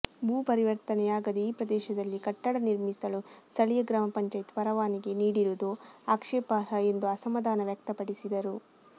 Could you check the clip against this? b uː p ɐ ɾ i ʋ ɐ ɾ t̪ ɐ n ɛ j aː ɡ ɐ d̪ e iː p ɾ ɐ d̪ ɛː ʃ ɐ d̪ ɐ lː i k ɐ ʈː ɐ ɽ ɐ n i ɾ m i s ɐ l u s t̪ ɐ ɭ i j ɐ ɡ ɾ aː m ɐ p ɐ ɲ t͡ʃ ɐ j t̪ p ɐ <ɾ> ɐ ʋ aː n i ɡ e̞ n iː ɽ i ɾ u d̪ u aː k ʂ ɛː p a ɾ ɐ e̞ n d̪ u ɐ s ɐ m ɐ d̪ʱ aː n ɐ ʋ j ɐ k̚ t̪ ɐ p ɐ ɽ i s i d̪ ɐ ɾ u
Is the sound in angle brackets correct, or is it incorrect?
correct